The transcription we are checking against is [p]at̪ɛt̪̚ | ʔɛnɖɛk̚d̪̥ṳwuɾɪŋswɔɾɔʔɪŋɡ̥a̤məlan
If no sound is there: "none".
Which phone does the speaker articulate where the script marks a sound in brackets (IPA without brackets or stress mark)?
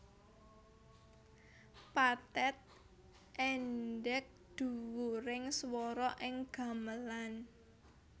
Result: p